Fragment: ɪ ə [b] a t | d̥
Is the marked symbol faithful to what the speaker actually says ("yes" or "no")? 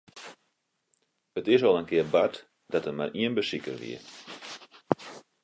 yes